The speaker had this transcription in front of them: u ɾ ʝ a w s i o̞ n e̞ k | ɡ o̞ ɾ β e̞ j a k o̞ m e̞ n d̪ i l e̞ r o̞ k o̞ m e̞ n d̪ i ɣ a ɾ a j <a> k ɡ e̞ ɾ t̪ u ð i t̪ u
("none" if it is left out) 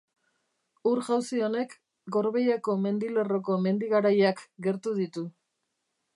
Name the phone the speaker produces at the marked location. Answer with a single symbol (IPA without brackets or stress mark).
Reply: a